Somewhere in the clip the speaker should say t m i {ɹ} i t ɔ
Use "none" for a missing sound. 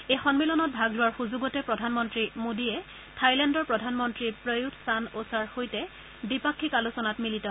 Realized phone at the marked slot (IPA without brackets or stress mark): l